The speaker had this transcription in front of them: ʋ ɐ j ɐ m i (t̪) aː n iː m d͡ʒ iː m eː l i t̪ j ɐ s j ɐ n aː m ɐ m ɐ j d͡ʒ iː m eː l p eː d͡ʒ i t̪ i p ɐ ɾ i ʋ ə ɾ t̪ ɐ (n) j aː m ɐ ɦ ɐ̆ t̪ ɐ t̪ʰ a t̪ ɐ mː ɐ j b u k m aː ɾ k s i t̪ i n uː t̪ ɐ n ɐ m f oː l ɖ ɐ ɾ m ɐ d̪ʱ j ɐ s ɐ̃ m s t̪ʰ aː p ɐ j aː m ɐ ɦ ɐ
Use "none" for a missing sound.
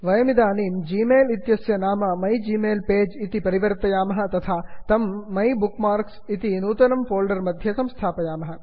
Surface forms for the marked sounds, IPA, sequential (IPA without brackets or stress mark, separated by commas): d̪, none